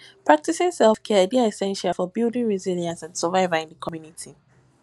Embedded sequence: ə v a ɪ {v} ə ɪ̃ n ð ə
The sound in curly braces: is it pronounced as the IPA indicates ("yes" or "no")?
yes